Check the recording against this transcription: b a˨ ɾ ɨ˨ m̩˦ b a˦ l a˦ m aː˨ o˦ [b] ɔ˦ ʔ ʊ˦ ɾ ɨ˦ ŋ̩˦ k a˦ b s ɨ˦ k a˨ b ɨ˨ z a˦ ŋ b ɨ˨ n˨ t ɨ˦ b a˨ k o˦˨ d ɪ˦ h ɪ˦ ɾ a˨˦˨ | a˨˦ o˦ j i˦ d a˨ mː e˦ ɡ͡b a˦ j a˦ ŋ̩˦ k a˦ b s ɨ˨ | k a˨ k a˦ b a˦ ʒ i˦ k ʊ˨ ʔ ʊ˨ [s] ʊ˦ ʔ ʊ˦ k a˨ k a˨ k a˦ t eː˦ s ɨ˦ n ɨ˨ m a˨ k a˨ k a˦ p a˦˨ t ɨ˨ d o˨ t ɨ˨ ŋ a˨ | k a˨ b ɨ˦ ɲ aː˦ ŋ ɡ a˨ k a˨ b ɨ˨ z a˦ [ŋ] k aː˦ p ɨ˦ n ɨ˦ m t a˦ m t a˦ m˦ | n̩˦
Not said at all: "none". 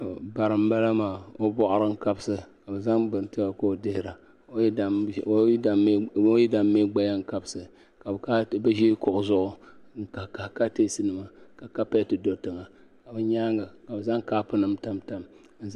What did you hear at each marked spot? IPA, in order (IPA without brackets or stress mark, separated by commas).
b, z, ŋ